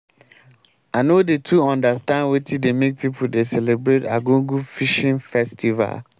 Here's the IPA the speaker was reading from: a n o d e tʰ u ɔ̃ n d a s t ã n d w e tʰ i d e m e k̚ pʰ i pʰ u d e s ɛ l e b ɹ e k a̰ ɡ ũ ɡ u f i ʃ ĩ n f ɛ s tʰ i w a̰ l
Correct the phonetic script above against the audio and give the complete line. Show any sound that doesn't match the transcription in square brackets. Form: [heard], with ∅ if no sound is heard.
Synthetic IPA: a n o d e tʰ u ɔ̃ n d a s t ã n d w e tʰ i d e m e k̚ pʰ i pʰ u d e s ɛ l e b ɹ e [t] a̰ ɡ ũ ɡ u f i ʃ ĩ n f ɛ s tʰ i [v] a̰ l